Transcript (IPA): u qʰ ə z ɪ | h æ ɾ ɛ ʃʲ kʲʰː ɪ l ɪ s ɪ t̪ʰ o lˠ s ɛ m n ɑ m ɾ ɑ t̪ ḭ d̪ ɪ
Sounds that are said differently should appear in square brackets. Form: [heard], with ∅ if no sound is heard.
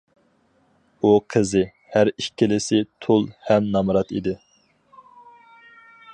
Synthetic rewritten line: u qʰ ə z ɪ | h æ ɾ [i] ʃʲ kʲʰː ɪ l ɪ s ɪ t̪ʰ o lˠ [h] ɛ m n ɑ m ɾ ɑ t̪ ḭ d̪ ɪ